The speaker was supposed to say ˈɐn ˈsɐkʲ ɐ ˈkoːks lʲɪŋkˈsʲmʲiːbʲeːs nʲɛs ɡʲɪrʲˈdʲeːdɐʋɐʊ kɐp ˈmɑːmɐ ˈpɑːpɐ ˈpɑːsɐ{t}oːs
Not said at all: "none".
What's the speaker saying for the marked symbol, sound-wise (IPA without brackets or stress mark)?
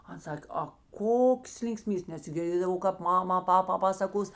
k